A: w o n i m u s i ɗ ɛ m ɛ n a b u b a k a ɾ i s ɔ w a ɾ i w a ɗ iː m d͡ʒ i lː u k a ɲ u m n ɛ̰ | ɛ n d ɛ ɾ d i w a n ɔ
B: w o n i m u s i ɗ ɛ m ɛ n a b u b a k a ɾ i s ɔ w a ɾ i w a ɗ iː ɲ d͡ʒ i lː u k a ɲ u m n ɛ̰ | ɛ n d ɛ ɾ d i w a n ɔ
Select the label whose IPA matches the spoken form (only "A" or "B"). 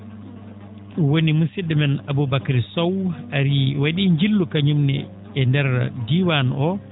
B